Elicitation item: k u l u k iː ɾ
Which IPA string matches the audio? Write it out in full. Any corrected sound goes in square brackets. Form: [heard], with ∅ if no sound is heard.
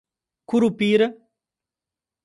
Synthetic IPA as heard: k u [ɾ] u [p] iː ɾ